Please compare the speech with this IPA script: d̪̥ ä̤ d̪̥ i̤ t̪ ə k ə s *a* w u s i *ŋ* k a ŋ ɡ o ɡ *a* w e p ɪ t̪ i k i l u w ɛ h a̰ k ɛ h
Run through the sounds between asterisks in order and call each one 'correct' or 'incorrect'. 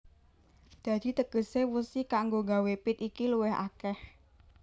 incorrect: e, incorrect: none, correct

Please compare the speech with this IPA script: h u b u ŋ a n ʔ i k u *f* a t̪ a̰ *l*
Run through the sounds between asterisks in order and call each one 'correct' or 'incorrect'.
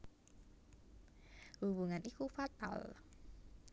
correct, correct

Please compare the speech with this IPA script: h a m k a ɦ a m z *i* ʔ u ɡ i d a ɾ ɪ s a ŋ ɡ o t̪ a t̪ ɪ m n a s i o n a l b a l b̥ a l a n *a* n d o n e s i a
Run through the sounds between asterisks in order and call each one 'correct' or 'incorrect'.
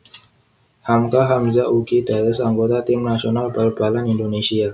incorrect: a, incorrect: i

